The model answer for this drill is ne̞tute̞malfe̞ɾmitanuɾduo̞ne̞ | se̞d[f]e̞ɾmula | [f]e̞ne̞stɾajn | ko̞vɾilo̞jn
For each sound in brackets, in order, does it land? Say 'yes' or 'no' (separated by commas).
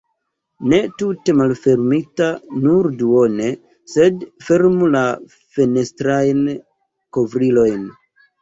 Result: yes, yes